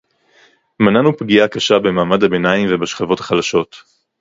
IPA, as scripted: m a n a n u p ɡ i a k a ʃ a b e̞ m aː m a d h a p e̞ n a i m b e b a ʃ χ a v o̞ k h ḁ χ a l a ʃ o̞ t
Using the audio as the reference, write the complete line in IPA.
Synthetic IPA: m a n a n u p ɡ i a k a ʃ a b e̞ m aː m a d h a b e̞ n a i m v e b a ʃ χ a v o̞ t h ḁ χ a l a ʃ o̞ t